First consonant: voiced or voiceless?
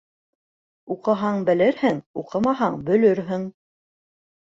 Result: voiceless